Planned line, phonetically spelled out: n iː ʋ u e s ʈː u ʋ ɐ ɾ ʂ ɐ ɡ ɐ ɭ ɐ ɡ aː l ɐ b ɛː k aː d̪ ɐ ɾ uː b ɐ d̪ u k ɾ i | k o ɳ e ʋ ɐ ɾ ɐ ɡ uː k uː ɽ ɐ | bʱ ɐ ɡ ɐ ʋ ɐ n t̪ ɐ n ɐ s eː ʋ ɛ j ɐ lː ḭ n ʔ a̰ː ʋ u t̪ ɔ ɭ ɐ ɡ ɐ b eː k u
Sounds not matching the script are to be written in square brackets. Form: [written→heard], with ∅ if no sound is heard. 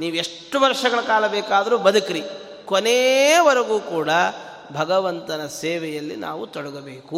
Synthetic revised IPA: n iː ʋ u e [s→ʂ] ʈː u ʋ ɐ ɾ ʂ ɐ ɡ ɐ ɭ ɐ [ɡ→k] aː l ɐ b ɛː k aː d̪ ɐ ɾ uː b ɐ d̪ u k ɾ i | k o [ɳ→n] e ʋ ɐ ɾ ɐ ɡ uː k uː ɽ ɐ | bʱ ɐ ɡ ɐ ʋ ɐ n t̪ ɐ n ɐ s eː ʋ ɛ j ɐ lː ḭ n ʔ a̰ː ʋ u t̪ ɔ [ɭ→ɽ] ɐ ɡ ɐ b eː k u